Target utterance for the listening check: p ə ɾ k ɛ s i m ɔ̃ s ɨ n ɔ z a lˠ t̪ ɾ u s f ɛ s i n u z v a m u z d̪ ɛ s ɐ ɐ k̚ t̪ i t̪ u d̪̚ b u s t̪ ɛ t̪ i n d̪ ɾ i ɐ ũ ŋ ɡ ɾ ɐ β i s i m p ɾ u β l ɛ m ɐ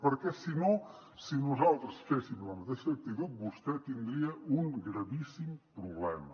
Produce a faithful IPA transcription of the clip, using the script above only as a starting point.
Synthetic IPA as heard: p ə ɾ k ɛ s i n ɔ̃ s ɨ n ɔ z a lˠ t̪ ɾ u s f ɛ s i m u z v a m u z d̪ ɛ s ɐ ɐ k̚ t̪ i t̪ u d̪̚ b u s t̪ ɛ t̪ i n d̪ ɾ i ɐ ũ ŋ ɡ ɾ ɐ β i s i m p ɾ u β l ɛ m ɐ